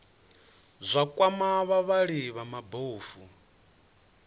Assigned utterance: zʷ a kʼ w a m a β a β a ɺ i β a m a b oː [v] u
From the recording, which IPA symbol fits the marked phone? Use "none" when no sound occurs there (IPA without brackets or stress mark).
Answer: f